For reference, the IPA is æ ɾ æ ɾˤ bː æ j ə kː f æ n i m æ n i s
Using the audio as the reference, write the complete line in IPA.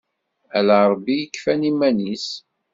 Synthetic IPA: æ l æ ɾˤ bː i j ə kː f æ n i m æ n i s